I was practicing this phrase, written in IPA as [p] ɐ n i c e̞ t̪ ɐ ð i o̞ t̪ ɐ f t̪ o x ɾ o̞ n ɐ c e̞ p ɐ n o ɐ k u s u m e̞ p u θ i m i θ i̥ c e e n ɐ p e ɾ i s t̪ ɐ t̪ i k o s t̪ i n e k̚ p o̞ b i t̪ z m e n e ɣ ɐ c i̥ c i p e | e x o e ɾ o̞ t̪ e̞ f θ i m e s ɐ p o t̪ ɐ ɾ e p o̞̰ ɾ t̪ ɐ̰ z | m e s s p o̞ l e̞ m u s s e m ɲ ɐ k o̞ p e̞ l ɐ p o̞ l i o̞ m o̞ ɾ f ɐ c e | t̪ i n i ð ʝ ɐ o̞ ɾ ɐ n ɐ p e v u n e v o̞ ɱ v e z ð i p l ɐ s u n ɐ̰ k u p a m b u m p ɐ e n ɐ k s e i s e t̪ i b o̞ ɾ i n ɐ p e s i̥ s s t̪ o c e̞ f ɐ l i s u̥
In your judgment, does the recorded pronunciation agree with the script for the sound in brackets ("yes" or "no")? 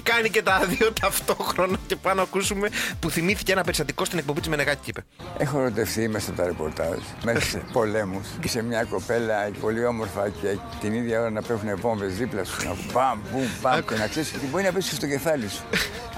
no